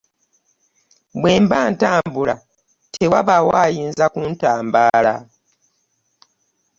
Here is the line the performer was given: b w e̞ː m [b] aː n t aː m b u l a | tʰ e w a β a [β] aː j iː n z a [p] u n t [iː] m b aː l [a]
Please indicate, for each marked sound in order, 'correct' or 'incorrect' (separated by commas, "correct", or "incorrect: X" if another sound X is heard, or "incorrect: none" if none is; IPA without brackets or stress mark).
correct, incorrect: w, incorrect: k, incorrect: aː, correct